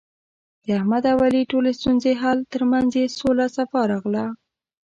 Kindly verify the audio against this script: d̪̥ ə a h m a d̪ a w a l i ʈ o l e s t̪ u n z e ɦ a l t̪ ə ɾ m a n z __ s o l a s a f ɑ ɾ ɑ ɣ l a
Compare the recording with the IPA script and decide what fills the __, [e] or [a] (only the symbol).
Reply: e